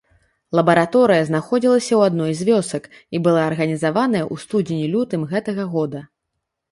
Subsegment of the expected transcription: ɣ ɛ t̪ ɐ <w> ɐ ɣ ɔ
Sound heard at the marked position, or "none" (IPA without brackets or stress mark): ɣ